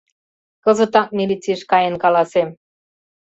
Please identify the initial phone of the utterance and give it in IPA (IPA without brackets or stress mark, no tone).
k